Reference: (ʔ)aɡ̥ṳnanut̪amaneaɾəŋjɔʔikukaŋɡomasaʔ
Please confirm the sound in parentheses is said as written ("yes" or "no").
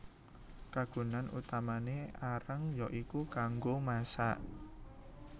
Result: no